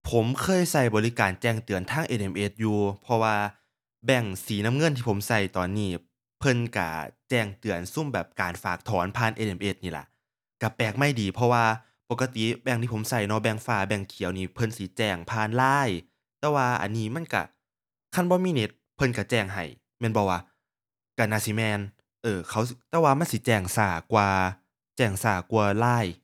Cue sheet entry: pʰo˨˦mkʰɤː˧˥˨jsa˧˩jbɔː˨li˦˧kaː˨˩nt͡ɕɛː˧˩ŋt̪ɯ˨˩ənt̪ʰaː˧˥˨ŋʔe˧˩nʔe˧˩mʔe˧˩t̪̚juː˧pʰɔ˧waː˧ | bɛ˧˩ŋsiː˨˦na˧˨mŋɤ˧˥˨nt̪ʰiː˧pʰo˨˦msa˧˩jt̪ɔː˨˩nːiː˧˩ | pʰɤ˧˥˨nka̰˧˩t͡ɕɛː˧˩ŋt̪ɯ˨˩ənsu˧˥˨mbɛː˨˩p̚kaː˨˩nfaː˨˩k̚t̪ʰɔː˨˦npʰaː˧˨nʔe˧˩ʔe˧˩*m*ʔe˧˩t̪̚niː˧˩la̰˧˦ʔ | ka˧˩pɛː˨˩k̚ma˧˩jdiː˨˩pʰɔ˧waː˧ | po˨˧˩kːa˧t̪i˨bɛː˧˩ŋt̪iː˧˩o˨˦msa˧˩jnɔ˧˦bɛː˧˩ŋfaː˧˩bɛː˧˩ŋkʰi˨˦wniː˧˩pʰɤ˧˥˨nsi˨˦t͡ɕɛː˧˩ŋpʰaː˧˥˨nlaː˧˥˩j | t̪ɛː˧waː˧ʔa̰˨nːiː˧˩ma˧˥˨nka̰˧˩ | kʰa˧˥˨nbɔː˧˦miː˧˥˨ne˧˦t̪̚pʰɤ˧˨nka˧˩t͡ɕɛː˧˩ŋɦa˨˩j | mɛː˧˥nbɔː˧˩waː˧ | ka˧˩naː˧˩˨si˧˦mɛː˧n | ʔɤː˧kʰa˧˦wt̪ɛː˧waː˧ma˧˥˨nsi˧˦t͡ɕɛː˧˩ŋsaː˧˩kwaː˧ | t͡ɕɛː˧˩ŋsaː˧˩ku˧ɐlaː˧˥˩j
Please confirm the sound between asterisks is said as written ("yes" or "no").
yes